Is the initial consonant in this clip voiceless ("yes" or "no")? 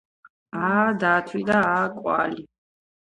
no